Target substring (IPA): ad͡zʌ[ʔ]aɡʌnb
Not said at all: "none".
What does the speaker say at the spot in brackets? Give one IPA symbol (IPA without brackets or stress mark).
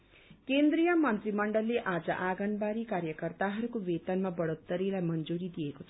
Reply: ʔ